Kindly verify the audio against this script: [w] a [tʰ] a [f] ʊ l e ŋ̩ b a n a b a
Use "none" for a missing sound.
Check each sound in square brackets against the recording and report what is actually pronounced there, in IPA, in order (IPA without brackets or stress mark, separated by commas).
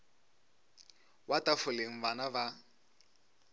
w, t, f